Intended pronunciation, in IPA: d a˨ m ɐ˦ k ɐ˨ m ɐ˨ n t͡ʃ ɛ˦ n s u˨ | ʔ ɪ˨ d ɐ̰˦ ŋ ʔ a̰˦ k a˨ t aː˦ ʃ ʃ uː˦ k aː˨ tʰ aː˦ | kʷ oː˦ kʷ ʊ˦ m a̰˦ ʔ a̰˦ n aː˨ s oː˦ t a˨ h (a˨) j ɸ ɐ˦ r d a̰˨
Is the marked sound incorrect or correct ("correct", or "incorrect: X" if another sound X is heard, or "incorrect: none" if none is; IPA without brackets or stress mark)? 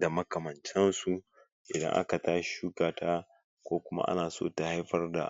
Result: incorrect: a˦